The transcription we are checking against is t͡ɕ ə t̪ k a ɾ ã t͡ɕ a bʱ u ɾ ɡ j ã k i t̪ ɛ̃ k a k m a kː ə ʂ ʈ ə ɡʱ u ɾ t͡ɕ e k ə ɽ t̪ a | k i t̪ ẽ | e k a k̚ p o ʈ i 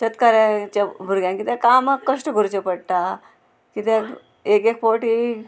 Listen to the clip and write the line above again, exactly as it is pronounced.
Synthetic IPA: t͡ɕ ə t̪ k a ɾ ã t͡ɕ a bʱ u ɾ ɡ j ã k i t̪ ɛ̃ k a m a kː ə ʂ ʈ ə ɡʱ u ɾ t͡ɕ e p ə ɽ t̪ a | k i t̪ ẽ | e k e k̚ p o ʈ i